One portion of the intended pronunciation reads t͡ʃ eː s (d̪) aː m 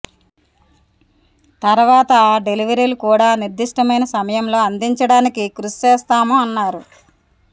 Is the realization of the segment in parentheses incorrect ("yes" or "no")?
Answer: yes